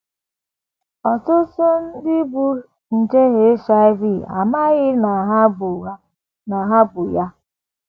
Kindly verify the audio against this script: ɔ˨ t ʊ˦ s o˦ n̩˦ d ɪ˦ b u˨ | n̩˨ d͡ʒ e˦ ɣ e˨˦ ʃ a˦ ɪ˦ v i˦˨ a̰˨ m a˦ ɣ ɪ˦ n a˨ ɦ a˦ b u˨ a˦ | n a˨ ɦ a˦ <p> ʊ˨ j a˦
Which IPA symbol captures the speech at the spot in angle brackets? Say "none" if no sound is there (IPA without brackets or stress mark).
b